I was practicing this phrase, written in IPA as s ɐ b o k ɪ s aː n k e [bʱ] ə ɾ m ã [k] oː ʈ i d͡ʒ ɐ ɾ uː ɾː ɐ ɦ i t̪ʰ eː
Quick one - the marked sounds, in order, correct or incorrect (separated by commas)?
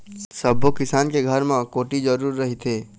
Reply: incorrect, correct